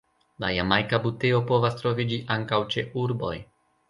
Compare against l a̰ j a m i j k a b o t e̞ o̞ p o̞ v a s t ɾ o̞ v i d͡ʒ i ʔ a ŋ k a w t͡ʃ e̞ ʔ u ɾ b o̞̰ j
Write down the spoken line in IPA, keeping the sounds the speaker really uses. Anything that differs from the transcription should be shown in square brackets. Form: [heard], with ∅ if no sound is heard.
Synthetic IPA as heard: l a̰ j a m [a] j k a b [u] t e̞ o̞ p o̞ v a s t ɾ o̞ v i d͡ʒ i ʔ a ŋ k a w t͡ʃ e̞ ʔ u ɾ b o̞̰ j